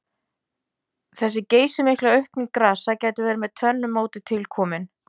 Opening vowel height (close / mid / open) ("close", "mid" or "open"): mid